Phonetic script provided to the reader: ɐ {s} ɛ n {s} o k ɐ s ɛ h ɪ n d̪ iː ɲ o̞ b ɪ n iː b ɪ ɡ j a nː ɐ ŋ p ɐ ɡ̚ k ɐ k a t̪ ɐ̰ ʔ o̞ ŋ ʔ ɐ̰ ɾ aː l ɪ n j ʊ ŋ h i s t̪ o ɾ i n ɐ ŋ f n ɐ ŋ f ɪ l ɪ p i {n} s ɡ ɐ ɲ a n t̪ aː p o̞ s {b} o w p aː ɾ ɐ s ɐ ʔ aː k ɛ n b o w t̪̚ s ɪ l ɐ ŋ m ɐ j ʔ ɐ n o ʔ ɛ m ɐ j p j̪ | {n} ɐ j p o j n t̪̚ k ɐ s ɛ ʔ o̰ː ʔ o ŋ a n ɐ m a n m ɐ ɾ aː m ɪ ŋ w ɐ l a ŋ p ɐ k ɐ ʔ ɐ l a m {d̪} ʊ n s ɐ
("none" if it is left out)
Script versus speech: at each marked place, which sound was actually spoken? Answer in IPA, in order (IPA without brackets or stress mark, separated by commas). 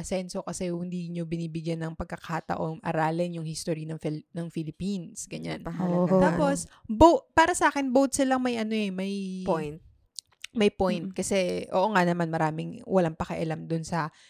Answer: s, s, n, b, m, d̪